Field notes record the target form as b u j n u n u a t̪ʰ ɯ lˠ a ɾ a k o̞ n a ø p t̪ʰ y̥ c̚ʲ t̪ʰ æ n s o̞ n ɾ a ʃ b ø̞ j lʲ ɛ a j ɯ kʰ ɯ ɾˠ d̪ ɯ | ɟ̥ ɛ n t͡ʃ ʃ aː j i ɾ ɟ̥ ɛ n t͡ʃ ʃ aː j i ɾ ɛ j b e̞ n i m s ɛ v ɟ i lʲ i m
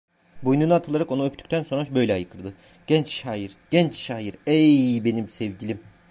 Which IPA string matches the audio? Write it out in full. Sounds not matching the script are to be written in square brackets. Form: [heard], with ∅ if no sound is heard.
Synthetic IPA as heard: b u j n u n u a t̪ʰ ɯ lˠ a ɾ a k o̞ n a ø p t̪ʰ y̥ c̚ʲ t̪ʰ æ n s o̞ n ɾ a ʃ b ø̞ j lʲ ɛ a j ɯ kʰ ɯ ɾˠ d̪ ɯ | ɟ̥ ɛ n t͡ʃ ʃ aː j i ɾ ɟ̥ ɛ n t͡ʃ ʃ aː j i ɾ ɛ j b e̞ n i m s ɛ v ɟ i lʲ i m